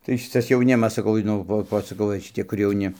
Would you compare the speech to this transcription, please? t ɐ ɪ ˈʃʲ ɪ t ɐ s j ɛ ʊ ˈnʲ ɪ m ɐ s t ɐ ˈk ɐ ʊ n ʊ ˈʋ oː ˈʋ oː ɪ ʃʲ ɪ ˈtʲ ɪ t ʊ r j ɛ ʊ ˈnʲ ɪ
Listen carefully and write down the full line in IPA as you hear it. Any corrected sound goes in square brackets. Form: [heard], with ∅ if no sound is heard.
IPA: t ɐ ɪ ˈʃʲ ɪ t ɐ s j ɛ ʊ ˈnʲ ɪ m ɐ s [s] ɐ ˈk ɐ ʊ n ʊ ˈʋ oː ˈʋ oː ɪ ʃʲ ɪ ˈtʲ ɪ [k] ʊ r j ɛ ʊ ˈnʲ ɪ

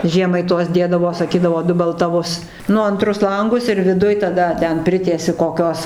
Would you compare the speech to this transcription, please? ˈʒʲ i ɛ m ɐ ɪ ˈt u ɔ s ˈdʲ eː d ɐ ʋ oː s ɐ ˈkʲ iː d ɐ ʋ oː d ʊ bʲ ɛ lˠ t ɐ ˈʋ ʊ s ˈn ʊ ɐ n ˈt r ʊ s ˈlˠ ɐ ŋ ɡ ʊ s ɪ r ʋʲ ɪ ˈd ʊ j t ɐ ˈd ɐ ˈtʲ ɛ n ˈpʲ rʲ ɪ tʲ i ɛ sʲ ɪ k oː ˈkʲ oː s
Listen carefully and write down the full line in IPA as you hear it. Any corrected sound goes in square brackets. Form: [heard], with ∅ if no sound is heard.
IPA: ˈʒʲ i ɛ m ɐ ɪ ˈt u ɔ s ˈdʲ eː d ɐ ʋ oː s ɐ ˈkʲ iː d ɐ ʋ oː d ʊ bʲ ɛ lˠ t ɐ ˈʋ ʊ s ˈn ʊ ɐ n ˈt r ʊ s ˈlˠ ɐ ŋ ɡ ʊ s ɪ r ʋʲ ɪ ˈd ʊ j t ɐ ˈd ɐ ˈtʲ ɛ n ˈpʲ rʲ ɪ tʲ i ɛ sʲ ɪ k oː ˈkʲ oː s

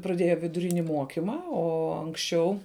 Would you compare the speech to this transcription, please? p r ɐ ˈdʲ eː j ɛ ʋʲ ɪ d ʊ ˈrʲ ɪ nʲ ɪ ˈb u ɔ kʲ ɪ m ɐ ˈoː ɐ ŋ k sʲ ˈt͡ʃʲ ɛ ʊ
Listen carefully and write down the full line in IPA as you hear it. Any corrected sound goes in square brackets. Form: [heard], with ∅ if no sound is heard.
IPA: p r ɐ ˈdʲ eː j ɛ ʋʲ ɪ d ʊ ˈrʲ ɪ nʲ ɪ [ˈm] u ɔ kʲ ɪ m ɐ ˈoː ɐ ŋ k sʲ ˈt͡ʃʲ ɛ ʊ

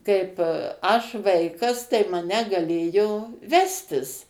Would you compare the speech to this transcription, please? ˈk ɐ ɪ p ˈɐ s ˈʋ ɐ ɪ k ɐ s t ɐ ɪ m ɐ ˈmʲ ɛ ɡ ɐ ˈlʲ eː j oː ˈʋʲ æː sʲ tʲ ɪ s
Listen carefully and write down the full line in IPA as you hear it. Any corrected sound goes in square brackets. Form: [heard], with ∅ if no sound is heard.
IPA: ˈk ɐ ɪ p ˈɐ [ʃ] ˈʋ ɐ ɪ k ɐ s t ɐ ɪ m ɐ [ˈnʲ] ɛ ɡ ɐ ˈlʲ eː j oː ˈʋʲ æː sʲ tʲ ɪ s

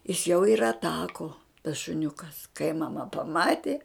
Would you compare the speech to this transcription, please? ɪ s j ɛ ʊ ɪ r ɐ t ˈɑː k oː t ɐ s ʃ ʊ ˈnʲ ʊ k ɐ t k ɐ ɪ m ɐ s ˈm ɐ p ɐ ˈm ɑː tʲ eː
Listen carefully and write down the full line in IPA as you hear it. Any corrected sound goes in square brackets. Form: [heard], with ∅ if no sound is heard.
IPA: ɪ s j ɛ ʊ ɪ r ɐ t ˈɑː k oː t ɐ s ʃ ʊ ˈnʲ ʊ k ɐ [s] k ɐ ɪ m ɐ [∅] ˈm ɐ p ɐ ˈm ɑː tʲ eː

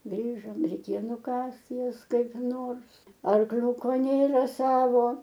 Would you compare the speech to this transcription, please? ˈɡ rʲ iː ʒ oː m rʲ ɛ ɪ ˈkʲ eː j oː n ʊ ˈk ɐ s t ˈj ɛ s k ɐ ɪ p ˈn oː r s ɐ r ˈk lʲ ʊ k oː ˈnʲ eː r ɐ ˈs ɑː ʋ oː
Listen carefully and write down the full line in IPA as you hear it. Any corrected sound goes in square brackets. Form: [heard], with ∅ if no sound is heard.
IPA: ˈɡ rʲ iː ʒ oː m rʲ ɛ ɪ ˈkʲ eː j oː n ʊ ˈk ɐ s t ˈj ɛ s k ɐ ɪ p ˈn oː r s ɐ r ˈk lʲ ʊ k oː ˈnʲ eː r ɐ ˈs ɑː ʋ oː

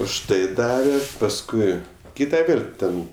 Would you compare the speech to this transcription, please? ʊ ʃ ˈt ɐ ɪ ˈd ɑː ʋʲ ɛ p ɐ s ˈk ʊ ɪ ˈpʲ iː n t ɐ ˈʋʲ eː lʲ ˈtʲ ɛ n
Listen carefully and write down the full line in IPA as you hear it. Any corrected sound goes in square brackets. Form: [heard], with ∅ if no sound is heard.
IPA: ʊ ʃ ˈt ɐ ɪ ˈd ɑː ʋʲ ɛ p ɐ s ˈk ʊ ɪ [ˈkʲ] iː [∅] t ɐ ˈʋʲ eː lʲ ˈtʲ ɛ n

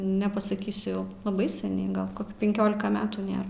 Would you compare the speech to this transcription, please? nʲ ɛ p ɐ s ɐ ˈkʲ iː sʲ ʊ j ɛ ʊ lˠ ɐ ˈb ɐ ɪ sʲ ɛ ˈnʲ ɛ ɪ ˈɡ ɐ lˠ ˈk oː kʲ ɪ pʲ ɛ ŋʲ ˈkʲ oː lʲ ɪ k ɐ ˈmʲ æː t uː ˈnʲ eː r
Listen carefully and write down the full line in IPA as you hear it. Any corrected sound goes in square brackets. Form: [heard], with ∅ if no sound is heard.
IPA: nʲ ɛ p ɐ s ɐ ˈkʲ iː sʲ ʊ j ɛ ʊ lˠ ɐ ˈb ɐ ɪ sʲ ɛ ˈnʲ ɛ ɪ ˈɡ ɐ lˠ ˈk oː kʲ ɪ pʲ ɛ ŋʲ ˈkʲ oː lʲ ɪ k ɐ ˈmʲ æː t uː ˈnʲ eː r

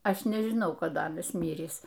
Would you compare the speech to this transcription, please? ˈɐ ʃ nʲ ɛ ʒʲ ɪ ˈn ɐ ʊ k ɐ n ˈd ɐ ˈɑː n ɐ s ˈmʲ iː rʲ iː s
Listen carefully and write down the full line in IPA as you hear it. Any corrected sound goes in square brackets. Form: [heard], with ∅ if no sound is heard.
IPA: ˈɐ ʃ nʲ ɛ ʒʲ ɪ ˈn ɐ ʊ k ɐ [∅] ˈd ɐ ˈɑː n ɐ s ˈmʲ iː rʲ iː s

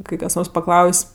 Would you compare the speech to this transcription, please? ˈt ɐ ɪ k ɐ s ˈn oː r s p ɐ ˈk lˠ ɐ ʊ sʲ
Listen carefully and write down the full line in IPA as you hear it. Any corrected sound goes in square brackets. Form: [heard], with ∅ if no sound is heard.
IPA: [ˈk] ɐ ɪ k ɐ s ˈn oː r s p ɐ ˈk lˠ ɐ ʊ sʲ

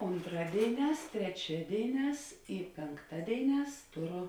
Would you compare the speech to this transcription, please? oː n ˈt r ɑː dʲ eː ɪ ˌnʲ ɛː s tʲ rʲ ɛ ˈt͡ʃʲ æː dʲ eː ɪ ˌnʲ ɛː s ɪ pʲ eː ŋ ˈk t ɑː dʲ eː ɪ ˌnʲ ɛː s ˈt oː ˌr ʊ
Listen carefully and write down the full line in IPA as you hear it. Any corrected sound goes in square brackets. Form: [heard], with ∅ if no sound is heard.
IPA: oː n ˈt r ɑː dʲ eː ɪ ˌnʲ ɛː s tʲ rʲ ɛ ˈt͡ʃʲ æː dʲ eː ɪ ˌnʲ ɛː s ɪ pʲ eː ŋ ˈk t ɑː dʲ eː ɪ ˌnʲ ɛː s ˈt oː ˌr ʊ

